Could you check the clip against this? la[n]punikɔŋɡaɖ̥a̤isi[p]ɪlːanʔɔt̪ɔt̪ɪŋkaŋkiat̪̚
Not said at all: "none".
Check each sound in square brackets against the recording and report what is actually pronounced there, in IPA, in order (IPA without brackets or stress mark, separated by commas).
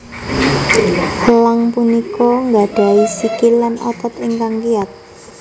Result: ŋ, k